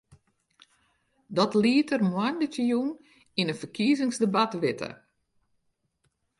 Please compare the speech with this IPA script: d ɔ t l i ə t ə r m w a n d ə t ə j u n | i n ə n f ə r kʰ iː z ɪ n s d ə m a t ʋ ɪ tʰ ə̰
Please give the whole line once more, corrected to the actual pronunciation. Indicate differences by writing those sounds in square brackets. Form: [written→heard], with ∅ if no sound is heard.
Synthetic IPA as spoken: d ɔ t l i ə t ə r m w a n d ə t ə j u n | i n ə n f ə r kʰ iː z ɪ [n→ŋ] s d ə [m→b] a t ʋ ɪ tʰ ə̰